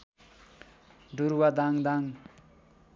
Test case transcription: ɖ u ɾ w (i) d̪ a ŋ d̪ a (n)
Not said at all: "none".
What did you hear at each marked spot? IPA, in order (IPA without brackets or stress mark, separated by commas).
a, ŋ